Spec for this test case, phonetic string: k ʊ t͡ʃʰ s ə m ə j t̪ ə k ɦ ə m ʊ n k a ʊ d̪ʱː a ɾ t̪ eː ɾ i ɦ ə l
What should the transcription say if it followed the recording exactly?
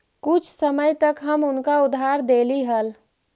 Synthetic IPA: k ʊ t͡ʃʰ s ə m ə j t̪ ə k ɦ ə m ʊ n k a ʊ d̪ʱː a ɾ d̪ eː l i ɦ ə l